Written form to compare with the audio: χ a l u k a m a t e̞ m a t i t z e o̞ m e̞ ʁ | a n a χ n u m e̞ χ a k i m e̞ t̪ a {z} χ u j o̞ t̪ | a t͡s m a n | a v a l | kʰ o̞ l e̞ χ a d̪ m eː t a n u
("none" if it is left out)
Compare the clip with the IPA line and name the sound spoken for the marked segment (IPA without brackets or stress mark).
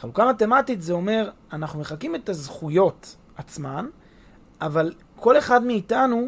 z